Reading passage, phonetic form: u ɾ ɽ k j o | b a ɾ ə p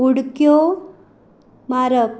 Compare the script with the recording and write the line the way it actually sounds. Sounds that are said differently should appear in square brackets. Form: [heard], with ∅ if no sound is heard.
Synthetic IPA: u [∅] ɽ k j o | [m] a ɾ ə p